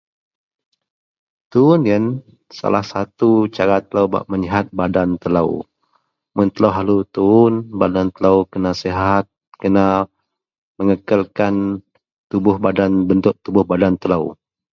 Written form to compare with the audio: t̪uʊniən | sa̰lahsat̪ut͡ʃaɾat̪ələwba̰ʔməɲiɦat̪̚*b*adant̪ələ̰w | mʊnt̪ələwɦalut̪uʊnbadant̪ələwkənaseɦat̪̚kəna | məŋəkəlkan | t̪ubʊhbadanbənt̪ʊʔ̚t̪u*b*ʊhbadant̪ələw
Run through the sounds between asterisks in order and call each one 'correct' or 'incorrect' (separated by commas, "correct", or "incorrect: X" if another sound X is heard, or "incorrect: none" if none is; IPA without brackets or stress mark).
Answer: correct, correct